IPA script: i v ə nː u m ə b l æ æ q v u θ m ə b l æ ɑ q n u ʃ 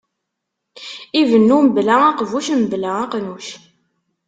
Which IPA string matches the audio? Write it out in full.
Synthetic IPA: i v ə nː u m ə b l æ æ q v u ʃ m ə b l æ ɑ q n u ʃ

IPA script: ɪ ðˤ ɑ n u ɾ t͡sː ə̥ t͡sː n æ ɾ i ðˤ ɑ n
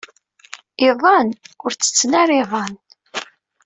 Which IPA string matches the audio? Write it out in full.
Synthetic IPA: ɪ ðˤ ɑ n ʊ ɾ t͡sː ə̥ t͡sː n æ ɾ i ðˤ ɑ n

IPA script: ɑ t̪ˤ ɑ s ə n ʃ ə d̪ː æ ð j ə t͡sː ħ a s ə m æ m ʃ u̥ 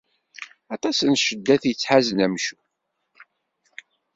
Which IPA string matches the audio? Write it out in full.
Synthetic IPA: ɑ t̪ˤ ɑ s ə n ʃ ə d̪ː æ θ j ə t͡sː ħ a z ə n æ m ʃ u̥

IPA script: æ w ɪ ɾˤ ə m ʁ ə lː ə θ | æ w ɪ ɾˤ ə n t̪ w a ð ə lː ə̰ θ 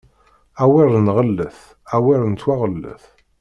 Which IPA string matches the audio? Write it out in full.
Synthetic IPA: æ w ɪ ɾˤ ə n ʁ ə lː ə θ | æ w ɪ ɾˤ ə n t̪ w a ʁ ə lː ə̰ θ

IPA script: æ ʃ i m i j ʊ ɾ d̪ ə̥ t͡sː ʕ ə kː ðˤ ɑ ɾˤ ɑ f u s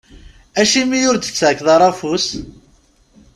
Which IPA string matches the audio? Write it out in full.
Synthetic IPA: æ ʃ i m i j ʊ ɾ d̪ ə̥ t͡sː ʕ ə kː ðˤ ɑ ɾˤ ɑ f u s

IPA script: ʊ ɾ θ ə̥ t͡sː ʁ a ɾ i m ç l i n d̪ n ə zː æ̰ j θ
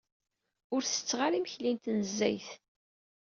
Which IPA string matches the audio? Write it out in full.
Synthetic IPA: ʊ ɾ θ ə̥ t͡sː ʁ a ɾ i m ç l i n t̪ n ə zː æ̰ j θ

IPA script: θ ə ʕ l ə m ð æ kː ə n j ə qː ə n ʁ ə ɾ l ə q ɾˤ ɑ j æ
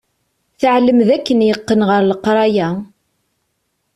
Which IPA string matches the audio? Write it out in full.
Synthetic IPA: θ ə ʕ l ə m ð æ kː ə n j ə qː ə n ʁ ə ɾ l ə q ɾˤ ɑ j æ

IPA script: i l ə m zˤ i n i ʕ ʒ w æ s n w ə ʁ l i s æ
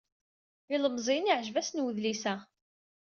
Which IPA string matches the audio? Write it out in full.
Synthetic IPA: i l ə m zˤ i n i ʕ ʒ v æ s n w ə ð l i s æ

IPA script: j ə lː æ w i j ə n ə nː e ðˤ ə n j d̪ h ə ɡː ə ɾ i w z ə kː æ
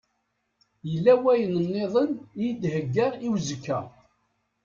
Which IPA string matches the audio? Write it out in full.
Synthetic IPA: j ə lː æ w æ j ə n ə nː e ðˤ ə n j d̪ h ə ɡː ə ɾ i w z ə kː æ

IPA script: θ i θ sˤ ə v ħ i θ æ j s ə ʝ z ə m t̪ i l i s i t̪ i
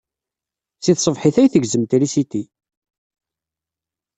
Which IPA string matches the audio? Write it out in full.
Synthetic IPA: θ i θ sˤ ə v ħ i θ æ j θ ə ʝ z ə m t̪ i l i s i t̪ i

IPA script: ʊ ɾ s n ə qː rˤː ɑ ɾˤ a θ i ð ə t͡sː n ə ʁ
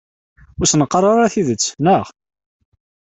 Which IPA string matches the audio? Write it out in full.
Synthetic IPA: ʊ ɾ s n ə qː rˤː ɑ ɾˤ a θ i ð ə t͡sː n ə ʁ

